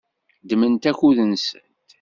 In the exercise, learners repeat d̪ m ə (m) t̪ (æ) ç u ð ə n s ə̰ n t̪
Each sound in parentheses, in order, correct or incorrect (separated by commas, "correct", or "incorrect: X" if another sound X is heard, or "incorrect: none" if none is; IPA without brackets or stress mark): incorrect: n, correct